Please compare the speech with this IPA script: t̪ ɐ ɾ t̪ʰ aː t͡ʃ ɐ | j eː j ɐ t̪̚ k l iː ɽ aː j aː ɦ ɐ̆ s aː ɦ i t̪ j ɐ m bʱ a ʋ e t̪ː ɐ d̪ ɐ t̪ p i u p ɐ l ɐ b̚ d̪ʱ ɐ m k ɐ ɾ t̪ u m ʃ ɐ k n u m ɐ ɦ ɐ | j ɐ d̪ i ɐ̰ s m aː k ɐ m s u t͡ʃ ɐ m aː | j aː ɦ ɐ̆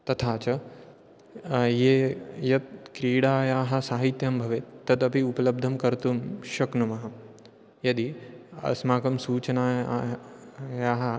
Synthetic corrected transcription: t̪ ɐ t̪ʰ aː t͡ʃ ɐ | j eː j ɐ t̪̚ k ɾ iː ɽ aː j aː ɦ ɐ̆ s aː ɦ i t̪ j ɐ m bʱ ɐ ʋ e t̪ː ɐ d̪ ɐ p i u p ɐ l ɐ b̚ d̪ʱ ɐ m k ɐ ɾ t̪ u m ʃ ɐ k n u m ɐ ɦ ɐ | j ɐ d̪ i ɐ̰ s m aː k ɐ m s uː t͡ʃ ɐ n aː | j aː ɦ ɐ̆